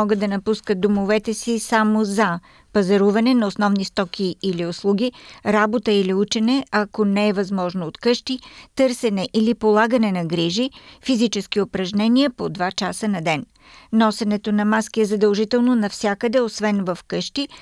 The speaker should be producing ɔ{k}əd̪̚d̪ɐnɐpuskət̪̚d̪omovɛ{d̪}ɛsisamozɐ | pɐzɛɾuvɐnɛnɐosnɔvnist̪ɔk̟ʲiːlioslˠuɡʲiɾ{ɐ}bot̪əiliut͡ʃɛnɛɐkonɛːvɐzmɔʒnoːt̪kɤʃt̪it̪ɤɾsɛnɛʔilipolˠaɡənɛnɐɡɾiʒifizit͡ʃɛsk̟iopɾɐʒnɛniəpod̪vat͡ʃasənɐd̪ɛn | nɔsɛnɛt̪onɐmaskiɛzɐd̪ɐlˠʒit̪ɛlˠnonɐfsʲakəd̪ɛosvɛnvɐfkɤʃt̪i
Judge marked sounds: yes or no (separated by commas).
no, no, no